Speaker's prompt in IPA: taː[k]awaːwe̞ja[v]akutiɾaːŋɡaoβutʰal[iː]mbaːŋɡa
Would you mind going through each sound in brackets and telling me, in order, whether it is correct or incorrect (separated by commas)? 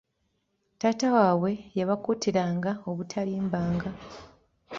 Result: incorrect, incorrect, correct